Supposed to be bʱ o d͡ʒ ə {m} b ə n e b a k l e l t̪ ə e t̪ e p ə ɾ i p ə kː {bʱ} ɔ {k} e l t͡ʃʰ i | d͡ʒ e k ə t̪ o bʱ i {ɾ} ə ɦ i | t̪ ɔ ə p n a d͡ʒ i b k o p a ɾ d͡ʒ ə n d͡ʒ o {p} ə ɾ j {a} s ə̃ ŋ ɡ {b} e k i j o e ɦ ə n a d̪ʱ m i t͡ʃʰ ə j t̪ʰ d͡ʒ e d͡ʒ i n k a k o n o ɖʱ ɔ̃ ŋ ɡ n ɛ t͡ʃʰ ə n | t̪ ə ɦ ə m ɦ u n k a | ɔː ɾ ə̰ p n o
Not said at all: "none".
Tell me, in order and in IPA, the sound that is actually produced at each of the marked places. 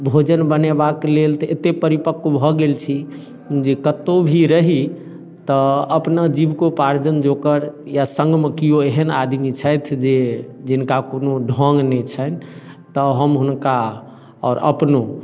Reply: n, bʱ, ɡ, ɾ, k, a, m

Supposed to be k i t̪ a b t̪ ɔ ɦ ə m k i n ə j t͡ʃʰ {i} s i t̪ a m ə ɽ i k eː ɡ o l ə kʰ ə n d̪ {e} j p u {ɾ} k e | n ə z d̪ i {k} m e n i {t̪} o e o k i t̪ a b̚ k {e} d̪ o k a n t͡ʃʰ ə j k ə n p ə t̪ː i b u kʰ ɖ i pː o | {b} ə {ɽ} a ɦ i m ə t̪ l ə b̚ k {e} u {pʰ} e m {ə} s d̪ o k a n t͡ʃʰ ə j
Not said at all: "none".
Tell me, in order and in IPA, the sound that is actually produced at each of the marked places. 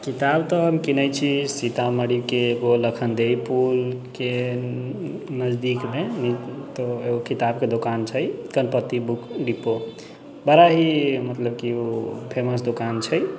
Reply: i, e, l, k, t̪, e, b, ɾ, i, pʰ, ə

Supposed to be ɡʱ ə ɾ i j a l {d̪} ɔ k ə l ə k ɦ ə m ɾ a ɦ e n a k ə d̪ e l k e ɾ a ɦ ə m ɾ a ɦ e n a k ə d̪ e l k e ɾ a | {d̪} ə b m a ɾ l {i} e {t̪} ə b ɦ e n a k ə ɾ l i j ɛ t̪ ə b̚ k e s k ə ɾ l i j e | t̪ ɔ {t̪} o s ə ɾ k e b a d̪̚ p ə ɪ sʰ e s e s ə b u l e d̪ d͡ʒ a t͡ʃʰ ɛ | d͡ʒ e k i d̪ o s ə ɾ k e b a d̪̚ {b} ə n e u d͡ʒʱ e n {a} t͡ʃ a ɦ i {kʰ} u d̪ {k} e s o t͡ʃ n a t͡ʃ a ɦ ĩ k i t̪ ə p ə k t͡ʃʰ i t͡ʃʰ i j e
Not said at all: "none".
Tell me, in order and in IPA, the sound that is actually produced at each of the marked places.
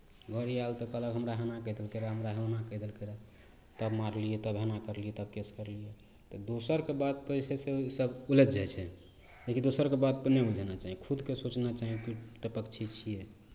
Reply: t̪, t̪, i, t̪, d̪, p, a, kʰ, k

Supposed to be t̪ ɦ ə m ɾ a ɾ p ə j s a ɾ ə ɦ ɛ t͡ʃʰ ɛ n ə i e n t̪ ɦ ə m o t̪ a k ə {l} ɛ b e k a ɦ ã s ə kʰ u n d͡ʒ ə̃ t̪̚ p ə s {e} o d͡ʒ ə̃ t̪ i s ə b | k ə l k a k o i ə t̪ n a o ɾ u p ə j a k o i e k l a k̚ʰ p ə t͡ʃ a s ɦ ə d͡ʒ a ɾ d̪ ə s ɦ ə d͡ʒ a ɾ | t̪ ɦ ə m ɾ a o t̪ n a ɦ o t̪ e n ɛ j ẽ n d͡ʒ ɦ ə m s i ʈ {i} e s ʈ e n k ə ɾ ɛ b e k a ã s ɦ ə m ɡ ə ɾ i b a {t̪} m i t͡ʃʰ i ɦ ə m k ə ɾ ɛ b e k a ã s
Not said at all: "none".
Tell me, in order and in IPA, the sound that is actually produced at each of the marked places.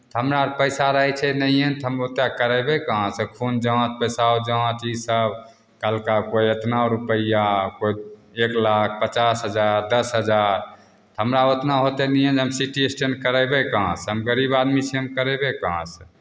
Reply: ɾ, a, i, d̪

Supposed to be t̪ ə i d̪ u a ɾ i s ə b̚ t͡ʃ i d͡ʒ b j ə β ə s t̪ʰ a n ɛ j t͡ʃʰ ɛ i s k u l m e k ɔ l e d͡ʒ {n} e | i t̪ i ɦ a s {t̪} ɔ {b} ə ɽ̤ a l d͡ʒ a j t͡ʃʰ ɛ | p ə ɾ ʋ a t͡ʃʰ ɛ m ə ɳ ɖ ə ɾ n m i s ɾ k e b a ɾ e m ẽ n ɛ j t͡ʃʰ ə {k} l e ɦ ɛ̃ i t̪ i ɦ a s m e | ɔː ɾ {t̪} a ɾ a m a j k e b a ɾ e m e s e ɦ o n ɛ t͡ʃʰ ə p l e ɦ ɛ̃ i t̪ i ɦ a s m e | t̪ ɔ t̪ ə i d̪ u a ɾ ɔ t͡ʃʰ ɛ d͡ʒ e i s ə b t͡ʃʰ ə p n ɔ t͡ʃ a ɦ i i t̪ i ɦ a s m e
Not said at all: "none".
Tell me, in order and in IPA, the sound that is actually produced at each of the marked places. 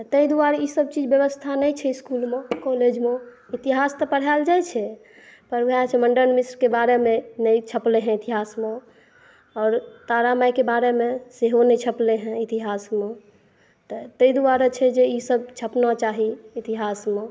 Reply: m, t̪, p, p, t̪

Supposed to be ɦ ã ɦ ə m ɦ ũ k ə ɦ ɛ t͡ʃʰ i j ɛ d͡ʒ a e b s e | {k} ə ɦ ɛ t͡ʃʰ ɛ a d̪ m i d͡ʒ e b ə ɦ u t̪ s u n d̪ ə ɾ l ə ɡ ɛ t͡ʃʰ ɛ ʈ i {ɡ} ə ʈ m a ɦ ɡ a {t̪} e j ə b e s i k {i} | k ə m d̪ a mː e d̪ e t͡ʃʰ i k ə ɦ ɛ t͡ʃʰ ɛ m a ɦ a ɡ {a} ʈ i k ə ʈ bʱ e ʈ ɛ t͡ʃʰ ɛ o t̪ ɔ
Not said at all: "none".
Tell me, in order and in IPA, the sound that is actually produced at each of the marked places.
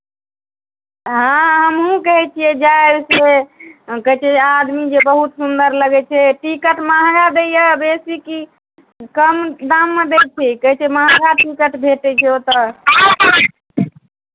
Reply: k, k, d̪, i, a

